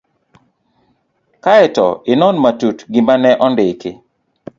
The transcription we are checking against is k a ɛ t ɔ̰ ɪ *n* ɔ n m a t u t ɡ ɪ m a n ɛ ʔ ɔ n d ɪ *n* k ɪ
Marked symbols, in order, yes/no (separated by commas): yes, no